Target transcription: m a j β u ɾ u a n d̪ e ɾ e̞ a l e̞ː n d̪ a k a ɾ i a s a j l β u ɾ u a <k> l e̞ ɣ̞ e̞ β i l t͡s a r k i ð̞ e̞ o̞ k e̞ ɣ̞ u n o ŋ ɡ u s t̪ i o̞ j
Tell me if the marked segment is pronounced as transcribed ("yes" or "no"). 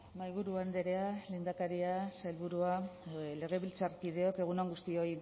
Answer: no